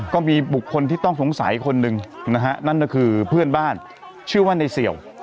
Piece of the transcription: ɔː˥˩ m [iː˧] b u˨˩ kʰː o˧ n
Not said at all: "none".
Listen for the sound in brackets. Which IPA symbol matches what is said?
iː˧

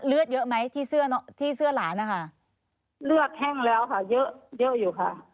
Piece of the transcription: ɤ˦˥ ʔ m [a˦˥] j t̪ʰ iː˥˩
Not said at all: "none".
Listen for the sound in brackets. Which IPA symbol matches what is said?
a˦˥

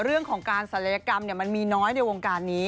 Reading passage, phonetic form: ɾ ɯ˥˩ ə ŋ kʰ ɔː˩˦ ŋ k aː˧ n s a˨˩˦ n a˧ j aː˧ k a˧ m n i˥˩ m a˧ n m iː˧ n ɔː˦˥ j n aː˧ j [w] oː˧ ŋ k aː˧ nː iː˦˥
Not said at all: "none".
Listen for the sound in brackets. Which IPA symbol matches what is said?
w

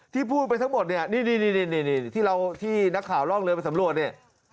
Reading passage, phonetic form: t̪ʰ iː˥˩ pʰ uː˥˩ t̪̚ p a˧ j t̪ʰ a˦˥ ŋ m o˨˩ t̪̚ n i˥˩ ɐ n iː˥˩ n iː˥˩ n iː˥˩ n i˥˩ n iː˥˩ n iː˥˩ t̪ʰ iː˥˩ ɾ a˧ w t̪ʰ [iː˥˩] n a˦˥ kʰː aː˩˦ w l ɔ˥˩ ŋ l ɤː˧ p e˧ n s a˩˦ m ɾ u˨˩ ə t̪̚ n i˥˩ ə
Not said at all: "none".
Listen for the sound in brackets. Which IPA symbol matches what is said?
iː˥˩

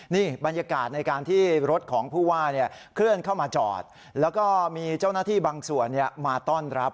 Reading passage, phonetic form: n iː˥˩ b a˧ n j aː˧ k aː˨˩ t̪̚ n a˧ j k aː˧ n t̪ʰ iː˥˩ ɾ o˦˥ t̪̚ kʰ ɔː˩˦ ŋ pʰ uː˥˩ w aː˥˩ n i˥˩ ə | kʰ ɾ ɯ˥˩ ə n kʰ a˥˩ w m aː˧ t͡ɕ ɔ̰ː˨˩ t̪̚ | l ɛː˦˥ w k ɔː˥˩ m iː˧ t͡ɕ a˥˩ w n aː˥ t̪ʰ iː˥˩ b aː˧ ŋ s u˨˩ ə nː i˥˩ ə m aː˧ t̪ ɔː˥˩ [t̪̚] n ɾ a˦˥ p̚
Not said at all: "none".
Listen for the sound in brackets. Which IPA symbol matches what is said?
none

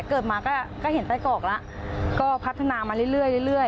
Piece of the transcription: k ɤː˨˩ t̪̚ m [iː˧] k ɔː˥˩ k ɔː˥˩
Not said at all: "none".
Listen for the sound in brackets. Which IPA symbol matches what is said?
aː˧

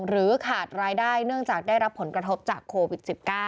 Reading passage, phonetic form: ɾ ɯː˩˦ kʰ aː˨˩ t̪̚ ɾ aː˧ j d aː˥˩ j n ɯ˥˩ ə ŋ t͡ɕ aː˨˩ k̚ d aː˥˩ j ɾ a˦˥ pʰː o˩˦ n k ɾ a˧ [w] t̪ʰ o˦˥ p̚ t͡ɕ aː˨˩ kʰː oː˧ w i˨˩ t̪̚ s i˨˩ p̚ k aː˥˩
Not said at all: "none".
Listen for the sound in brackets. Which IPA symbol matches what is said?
none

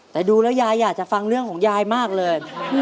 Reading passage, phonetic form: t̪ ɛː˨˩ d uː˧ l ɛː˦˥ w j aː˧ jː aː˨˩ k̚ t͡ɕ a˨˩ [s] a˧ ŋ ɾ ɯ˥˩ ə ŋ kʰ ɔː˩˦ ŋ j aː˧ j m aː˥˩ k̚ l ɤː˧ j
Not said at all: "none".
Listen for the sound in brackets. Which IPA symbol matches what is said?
f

